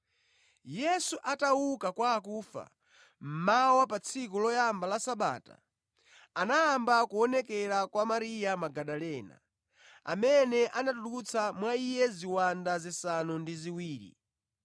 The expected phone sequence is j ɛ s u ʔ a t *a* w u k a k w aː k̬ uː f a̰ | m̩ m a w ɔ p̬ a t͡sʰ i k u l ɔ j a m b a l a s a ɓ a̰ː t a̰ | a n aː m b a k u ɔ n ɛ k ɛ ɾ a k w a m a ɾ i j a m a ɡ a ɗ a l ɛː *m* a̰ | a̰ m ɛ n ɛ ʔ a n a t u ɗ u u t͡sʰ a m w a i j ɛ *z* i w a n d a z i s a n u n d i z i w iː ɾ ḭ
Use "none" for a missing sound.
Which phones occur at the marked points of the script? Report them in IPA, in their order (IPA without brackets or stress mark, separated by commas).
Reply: a, n, z